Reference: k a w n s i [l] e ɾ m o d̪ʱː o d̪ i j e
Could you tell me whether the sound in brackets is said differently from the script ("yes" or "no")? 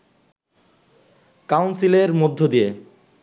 no